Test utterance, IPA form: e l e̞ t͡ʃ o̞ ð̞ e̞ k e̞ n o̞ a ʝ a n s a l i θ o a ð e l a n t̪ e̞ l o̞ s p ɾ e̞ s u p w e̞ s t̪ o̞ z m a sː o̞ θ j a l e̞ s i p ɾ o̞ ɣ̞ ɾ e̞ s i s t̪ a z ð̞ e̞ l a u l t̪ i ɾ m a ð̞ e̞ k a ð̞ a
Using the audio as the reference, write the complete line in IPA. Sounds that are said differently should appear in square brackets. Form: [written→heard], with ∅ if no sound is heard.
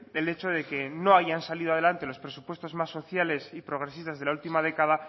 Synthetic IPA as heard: e l e̞ t͡ʃ o̞ ð̞ e̞ k e̞ n o̞ a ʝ a n s a l i [θ→ð] o a ð e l a n t̪ e̞ l o̞ s p ɾ e̞ s u p w e̞ s t̪ o̞ z m a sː o̞ θ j a l e̞ s i p ɾ o̞ ɣ̞ ɾ e̞ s i s t̪ a z ð̞ e̞ l a u l t̪ i [ɾ→∅] m a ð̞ e̞ k a ð̞ a